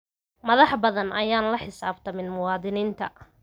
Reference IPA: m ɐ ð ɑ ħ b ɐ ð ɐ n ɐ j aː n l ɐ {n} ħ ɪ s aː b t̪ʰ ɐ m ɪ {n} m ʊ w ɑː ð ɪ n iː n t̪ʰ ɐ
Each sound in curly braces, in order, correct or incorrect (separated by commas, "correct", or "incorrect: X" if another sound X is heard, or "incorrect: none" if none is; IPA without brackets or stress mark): incorrect: none, correct